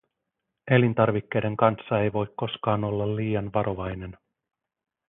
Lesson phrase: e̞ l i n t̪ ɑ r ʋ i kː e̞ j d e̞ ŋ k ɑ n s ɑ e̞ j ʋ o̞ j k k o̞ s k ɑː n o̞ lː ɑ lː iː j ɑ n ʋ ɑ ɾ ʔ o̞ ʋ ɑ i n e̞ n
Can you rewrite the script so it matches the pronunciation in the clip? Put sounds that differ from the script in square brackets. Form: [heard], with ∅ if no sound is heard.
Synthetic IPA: e̞ l i n t̪ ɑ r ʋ i kː e̞ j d e̞ ŋ k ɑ n [sː] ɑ e̞ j ʋ o̞ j k k o̞ s k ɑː n o̞ lː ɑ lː iː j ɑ n ʋ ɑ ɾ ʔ o̞ ʋ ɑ [j] n e̞ n